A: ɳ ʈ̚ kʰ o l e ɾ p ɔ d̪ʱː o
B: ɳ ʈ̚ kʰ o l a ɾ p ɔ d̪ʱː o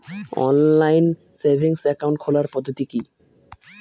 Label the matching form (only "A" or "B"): B